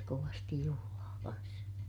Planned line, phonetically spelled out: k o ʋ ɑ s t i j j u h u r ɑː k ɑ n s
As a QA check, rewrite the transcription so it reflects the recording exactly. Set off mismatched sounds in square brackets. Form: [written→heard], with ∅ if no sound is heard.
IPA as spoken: k o ʋ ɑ s t i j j u h u [r→l] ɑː k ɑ n s